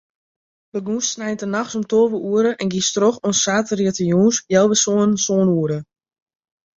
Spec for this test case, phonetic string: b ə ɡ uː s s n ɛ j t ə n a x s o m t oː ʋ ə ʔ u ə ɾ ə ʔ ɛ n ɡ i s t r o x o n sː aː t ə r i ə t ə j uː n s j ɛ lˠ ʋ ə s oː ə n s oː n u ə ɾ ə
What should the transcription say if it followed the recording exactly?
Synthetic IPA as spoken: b ə ɡ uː s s n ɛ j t ə n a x s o m t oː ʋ ə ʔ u ə ɾ ə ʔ ɛ n ɡ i s t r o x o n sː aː t ə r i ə t ə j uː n s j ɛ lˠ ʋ ə s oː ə n s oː n u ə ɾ ə